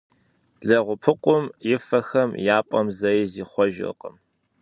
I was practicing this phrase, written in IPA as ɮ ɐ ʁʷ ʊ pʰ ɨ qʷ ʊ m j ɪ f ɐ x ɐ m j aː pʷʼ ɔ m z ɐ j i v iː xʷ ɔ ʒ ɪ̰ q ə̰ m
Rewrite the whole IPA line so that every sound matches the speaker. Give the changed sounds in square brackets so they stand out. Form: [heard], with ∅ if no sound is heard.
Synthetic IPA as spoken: ɮ ɐ ʁʷ ʊ pʰ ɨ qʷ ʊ m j ɪ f ɐ x ɐ m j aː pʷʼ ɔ m z ɐ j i [z] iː [χʷ] ɔ ʒ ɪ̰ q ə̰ m